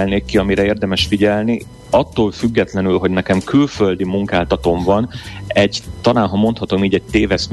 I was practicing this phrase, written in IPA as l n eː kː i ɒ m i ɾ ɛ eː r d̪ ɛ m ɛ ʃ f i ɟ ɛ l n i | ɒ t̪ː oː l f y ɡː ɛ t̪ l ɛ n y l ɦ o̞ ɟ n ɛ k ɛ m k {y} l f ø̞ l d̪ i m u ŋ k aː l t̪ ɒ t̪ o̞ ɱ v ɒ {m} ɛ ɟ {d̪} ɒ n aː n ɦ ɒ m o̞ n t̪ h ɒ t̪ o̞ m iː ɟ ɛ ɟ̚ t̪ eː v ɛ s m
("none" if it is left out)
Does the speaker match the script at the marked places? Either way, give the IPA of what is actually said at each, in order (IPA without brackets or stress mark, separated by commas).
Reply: y, n, t̪